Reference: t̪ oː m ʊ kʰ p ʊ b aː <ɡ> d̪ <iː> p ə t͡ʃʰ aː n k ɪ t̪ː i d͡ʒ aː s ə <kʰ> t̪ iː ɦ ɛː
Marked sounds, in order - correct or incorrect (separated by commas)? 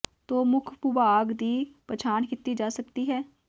correct, correct, incorrect